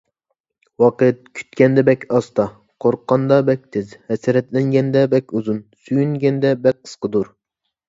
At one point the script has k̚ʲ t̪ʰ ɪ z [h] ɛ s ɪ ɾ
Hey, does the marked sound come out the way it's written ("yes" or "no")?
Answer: yes